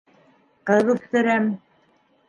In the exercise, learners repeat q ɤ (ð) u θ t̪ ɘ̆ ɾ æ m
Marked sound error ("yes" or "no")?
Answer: no